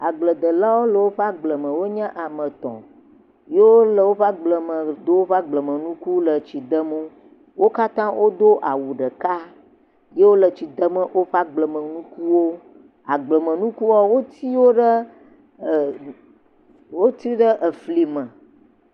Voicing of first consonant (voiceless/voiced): voiced